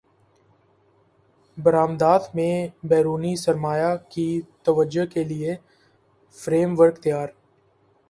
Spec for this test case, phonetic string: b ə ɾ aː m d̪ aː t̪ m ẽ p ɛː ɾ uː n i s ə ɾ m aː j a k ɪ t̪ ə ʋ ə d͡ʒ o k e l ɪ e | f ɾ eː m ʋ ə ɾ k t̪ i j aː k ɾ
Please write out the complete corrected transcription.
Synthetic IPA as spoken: b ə ɾ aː m d̪ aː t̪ m ẽ b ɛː ɾ uː n i s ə ɾ m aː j a k i t̪ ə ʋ ə d͡ʒ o k e l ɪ e | f ɾ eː m ʋ ə ɾ k t̪ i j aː ɾ